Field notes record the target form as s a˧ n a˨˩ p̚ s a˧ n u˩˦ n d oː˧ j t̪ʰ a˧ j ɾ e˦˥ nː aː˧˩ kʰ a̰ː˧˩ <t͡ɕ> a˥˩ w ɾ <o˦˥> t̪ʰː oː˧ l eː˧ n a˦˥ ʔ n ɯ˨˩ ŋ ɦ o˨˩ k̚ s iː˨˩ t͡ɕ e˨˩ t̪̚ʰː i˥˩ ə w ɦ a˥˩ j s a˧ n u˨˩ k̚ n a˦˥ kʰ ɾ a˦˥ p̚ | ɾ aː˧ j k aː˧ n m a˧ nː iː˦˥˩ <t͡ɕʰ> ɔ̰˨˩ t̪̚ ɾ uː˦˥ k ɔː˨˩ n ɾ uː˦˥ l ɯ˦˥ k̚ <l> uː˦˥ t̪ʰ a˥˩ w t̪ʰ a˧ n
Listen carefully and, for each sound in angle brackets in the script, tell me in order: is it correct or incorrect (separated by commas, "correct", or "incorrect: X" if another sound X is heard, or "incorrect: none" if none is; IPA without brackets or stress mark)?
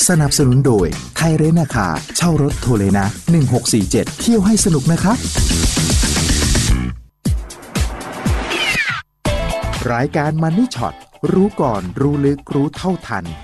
incorrect: t͡ɕʰ, correct, correct, incorrect: ɾ